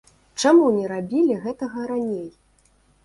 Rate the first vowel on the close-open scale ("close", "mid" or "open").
open